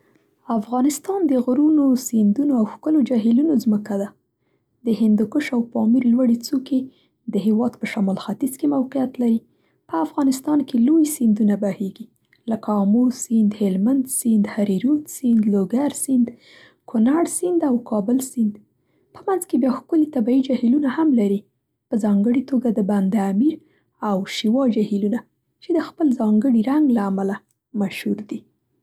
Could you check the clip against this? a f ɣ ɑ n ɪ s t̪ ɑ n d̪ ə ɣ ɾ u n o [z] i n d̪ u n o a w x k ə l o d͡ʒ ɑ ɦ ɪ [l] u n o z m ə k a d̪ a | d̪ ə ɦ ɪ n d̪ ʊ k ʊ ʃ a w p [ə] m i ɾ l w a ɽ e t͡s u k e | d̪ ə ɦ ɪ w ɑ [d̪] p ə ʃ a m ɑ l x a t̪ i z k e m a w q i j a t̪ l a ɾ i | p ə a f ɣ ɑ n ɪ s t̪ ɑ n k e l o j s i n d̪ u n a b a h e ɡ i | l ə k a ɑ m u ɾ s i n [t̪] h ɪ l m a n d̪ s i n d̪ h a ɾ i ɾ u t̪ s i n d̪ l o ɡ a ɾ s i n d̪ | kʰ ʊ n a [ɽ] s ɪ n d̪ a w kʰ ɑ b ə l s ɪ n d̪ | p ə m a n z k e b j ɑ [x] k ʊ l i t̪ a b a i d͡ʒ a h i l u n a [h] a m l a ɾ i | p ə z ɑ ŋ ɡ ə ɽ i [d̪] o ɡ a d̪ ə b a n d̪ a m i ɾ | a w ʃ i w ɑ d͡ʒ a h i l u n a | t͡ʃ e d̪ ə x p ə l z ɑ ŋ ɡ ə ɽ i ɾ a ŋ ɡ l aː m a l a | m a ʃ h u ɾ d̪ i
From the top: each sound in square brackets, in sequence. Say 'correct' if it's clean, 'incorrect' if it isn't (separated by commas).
incorrect, correct, incorrect, correct, incorrect, correct, correct, correct, incorrect